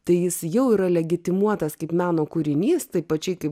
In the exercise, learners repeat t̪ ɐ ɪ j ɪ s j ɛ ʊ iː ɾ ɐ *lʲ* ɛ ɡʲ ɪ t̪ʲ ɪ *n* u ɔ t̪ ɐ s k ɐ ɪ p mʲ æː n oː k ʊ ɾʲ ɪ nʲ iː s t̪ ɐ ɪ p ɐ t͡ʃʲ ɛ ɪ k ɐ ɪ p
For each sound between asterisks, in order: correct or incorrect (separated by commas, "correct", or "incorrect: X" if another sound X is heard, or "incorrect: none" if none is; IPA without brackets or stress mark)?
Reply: correct, incorrect: m